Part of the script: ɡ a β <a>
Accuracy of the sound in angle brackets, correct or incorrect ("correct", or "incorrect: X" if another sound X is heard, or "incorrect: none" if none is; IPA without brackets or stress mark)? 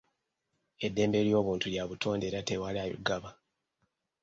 correct